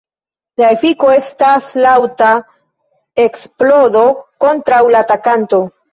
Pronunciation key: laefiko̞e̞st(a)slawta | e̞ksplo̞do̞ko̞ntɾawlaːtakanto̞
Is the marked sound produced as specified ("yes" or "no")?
yes